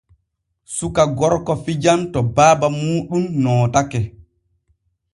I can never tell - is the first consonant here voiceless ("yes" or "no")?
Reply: yes